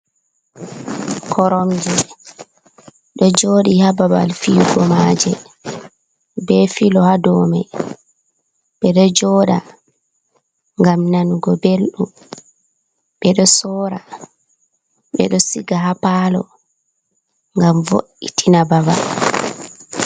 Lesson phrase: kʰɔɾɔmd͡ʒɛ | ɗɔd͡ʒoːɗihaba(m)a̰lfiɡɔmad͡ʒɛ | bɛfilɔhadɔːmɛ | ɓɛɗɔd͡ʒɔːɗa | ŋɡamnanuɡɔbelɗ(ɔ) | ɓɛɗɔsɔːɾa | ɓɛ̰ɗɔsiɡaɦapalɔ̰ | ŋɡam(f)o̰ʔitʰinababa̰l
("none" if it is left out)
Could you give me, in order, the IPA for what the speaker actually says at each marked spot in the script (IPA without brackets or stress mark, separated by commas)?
b, u, v